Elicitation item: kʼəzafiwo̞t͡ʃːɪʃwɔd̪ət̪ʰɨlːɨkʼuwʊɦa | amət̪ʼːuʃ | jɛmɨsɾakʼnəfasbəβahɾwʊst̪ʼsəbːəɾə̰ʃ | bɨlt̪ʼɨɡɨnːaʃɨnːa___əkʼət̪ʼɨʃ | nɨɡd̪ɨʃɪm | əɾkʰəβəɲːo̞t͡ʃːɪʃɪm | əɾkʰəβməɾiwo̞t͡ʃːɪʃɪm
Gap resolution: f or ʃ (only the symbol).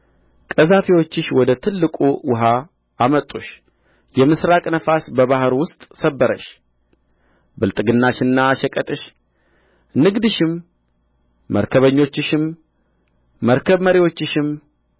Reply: ʃ